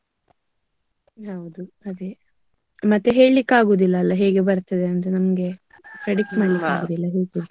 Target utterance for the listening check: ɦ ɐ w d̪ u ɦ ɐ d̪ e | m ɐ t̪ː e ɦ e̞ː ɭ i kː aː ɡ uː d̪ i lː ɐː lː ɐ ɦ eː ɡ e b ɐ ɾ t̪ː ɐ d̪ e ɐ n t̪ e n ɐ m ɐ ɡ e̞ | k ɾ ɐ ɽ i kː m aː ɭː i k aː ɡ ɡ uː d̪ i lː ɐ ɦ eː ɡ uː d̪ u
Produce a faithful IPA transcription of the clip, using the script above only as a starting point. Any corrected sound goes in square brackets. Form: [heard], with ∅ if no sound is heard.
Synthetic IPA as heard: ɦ ɐ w d̪ u [∅] ɐ d̪ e | m ɐ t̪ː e ɦ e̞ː ɭ i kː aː ɡ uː d̪ i lː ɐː lː ɐ ɦ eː ɡ e b ɐ ɾ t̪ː ɐ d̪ e ɐ n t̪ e n ɐ m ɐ ɡ e̞ | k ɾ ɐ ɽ i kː m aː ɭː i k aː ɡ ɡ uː d̪ i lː ɐ ɦ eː ɡ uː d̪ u